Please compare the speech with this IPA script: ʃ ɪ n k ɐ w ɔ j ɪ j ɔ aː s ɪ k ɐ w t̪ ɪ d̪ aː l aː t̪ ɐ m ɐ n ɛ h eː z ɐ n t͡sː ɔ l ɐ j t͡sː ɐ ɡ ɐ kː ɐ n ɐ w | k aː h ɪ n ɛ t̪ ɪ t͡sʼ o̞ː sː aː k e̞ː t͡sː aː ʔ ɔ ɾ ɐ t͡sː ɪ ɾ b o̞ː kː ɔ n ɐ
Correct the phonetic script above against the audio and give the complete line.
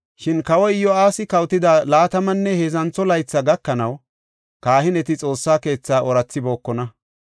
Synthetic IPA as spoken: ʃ ɪ n k ɐ w ɔ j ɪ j ɔ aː s ɪ k ɐ w t̪ ɪ d̪ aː l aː t̪ ɐ m ɐ nː ɛ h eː z ɐ n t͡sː ɔ l ɐ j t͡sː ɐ ɡ ɐ kː ɐ n ɐ w | k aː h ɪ n ɛ t̪ ɪ t͡sʼ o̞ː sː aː k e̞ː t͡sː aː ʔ ɔ ɾ ɐ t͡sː ɪ b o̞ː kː ɔ n ɐ